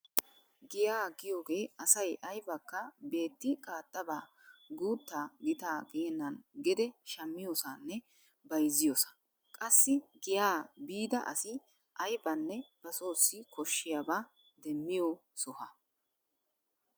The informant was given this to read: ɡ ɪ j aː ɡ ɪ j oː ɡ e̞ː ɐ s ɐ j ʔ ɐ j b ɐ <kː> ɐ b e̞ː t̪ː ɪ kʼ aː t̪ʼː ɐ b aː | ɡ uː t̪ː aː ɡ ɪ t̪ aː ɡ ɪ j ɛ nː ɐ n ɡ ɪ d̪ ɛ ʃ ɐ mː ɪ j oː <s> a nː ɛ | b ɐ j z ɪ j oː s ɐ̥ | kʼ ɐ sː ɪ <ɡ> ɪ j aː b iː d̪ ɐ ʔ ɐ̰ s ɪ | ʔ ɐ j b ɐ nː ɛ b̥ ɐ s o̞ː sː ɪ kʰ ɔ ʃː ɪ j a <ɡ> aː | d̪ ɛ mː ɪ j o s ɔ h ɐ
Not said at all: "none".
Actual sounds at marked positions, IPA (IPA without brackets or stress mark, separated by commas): kː, s, ɡ, b